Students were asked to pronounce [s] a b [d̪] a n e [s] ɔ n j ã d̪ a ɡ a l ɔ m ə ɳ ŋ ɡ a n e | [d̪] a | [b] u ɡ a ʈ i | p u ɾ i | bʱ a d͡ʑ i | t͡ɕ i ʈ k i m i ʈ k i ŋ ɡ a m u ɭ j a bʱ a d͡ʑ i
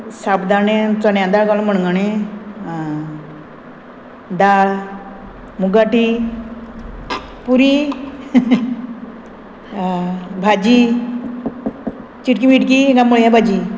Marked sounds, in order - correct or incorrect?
correct, correct, incorrect: t͡s, correct, incorrect: m

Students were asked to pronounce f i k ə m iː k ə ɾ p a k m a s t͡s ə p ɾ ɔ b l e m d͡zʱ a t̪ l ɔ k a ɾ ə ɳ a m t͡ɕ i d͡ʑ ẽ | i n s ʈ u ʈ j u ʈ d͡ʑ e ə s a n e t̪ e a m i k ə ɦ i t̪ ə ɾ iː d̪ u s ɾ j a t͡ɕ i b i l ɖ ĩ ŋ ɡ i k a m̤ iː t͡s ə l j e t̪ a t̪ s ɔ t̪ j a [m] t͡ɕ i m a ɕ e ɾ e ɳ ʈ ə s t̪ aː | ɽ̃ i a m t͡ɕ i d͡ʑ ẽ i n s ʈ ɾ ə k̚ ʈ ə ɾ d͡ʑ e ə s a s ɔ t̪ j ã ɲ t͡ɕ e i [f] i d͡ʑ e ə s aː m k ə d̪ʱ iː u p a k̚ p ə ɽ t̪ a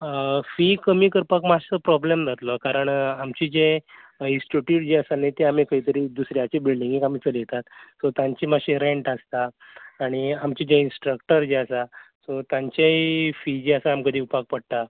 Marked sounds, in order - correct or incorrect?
incorrect: ɲ, correct

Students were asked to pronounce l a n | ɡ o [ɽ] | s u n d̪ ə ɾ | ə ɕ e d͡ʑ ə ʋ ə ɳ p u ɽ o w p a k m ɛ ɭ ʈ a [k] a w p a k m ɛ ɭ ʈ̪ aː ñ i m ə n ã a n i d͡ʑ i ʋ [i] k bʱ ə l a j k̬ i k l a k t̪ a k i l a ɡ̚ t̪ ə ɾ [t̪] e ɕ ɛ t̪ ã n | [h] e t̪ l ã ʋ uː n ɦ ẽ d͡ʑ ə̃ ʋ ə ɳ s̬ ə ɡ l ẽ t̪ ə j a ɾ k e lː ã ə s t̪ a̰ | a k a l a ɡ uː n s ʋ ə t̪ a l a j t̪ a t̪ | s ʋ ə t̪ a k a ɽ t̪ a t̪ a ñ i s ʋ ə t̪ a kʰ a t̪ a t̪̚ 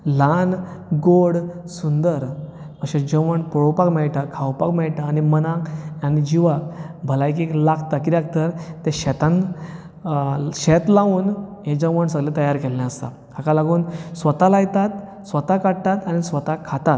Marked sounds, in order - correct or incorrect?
correct, incorrect: kʰ, incorrect: a, correct, incorrect: ɕ

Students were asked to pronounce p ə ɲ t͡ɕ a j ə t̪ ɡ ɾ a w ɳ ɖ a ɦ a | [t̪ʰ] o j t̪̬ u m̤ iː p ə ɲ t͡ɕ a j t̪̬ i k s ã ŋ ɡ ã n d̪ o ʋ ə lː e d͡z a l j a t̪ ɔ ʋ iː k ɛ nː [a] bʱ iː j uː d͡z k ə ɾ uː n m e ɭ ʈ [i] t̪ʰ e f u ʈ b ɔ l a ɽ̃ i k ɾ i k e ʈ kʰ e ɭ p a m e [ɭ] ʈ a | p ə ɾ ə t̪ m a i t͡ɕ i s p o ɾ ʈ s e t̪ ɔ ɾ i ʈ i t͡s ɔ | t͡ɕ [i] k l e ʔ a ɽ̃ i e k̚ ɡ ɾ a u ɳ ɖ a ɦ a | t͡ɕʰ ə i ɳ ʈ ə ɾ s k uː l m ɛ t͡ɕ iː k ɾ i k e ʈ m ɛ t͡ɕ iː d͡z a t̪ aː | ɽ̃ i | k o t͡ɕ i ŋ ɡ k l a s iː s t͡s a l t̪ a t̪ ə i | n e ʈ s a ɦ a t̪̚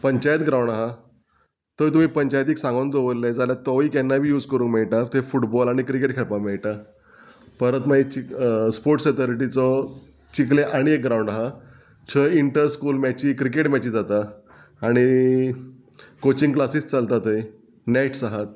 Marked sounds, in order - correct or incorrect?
incorrect: t̪, correct, incorrect: a, correct, correct

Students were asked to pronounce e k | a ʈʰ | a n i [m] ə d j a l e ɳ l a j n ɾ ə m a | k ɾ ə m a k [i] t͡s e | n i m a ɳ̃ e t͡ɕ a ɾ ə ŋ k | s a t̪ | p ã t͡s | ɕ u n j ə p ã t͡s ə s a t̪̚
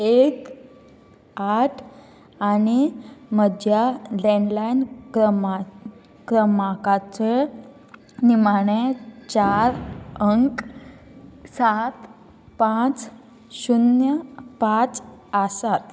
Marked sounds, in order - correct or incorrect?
correct, incorrect: a

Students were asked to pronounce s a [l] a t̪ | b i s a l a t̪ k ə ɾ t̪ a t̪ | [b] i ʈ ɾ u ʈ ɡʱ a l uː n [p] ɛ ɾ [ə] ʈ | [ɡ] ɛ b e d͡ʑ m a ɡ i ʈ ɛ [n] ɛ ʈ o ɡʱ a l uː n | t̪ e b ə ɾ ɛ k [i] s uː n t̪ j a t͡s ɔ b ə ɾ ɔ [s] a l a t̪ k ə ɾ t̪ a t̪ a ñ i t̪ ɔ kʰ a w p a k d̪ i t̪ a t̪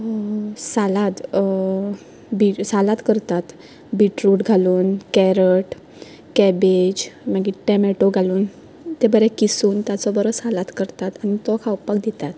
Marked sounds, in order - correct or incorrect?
correct, correct, incorrect: k, correct, incorrect: k, incorrect: m, correct, correct

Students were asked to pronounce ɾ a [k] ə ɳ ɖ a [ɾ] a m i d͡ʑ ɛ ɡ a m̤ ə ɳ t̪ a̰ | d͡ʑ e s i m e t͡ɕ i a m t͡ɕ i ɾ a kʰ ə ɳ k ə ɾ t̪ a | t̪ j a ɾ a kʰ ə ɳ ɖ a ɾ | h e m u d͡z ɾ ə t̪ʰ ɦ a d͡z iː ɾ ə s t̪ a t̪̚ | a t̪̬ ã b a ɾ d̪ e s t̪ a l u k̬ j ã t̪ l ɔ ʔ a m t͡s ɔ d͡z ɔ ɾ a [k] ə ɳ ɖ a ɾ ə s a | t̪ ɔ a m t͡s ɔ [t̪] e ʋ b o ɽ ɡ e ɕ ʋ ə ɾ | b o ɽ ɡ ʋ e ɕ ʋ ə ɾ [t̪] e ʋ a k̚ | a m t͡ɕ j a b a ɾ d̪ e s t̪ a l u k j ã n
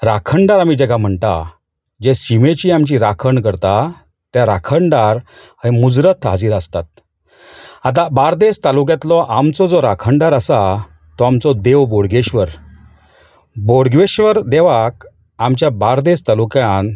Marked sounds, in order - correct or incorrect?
incorrect: kʰ, correct, incorrect: kʰ, incorrect: d̪, incorrect: d̪

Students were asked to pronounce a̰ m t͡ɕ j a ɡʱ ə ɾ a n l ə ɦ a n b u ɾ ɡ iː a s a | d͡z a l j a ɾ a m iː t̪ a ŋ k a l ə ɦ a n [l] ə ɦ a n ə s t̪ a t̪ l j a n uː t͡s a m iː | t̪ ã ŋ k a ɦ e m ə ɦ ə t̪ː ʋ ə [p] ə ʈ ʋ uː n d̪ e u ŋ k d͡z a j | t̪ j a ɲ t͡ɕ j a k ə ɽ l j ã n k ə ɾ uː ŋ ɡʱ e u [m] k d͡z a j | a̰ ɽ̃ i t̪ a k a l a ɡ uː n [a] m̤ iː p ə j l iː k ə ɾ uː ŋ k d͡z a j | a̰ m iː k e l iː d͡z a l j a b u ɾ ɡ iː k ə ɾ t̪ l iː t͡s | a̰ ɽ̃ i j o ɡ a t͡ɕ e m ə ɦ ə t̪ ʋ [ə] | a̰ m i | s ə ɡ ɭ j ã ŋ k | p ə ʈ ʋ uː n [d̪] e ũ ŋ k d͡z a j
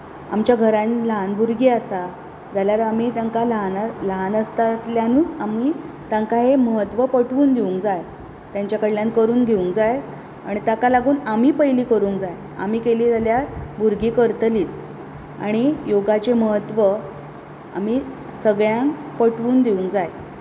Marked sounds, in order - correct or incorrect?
correct, correct, incorrect: ŋ, correct, correct, correct

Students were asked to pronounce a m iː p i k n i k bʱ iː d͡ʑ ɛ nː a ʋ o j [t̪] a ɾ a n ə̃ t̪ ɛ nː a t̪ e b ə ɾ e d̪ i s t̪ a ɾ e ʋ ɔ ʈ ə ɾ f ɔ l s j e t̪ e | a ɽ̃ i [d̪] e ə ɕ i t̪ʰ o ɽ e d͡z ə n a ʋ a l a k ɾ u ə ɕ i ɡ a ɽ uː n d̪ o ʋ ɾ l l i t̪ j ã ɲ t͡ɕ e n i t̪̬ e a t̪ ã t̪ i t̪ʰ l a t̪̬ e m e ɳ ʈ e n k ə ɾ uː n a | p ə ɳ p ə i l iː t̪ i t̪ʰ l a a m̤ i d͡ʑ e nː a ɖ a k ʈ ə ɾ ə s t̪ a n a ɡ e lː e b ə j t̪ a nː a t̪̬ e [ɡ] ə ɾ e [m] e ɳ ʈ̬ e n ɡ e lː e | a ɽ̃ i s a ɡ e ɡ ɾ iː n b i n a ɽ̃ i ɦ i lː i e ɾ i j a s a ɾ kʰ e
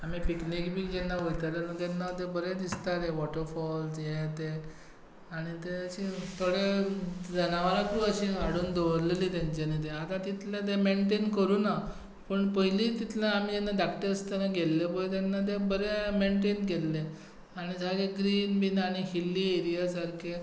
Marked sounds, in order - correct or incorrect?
correct, incorrect: t̪, incorrect: b, correct

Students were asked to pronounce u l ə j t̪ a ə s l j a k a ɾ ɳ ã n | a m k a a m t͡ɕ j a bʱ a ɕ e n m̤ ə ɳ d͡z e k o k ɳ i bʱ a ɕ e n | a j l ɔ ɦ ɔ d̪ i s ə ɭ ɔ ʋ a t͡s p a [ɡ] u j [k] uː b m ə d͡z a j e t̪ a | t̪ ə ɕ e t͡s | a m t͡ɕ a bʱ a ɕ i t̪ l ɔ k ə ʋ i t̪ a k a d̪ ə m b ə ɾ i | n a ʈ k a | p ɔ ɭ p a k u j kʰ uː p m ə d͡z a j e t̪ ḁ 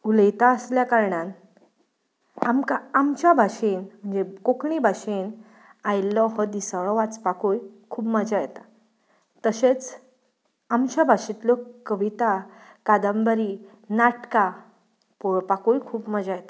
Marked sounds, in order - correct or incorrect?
incorrect: k, incorrect: kʰ

